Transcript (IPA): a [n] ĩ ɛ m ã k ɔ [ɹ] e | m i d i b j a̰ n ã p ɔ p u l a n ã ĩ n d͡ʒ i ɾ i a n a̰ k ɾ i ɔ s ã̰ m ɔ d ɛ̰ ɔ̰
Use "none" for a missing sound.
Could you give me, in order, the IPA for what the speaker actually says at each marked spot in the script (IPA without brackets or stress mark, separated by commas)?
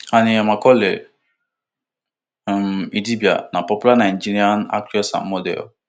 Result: n, l